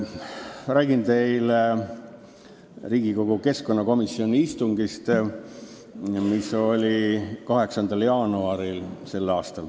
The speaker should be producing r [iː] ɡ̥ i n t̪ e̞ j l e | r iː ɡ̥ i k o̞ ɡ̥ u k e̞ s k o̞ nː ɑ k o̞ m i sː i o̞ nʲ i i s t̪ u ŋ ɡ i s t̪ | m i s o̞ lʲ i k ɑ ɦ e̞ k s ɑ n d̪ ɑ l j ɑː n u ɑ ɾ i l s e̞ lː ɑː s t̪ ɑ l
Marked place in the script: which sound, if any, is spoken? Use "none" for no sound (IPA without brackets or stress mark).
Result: æː